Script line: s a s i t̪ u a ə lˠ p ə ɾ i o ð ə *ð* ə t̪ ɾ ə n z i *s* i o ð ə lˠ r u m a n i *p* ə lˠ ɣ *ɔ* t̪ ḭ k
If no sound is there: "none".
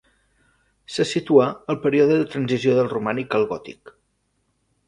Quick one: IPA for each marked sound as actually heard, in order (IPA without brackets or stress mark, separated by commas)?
ð, z, k, ɔ